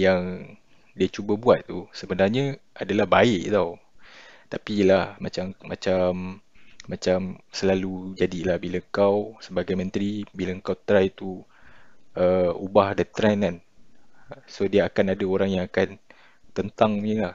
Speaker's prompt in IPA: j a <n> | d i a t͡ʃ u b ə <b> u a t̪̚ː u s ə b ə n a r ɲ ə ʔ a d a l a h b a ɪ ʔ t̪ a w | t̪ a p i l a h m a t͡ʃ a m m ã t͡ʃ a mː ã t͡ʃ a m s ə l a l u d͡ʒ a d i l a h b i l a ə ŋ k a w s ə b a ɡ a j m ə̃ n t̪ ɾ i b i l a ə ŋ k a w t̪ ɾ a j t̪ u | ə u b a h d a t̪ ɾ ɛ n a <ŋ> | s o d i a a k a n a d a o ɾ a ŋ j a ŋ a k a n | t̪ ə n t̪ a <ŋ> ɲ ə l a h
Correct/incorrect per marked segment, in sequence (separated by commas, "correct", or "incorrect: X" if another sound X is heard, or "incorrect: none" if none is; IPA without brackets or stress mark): incorrect: ŋ, correct, incorrect: n, correct